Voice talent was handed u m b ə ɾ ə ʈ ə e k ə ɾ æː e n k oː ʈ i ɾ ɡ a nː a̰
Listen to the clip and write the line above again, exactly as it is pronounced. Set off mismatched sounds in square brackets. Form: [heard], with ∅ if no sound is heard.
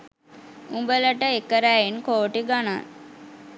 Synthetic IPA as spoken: u m b ə [l] ə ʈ ə e k ə ɾ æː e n k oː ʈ i [∅] ɡ a [n] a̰